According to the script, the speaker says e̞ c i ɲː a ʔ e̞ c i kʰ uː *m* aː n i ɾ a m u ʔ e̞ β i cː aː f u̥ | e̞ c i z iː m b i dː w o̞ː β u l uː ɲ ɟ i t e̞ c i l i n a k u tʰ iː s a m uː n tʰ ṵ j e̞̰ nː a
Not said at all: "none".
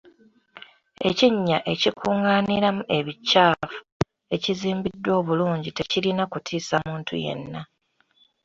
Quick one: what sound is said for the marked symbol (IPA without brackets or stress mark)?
ŋ